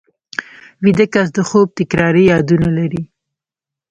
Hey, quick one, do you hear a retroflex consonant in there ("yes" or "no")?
no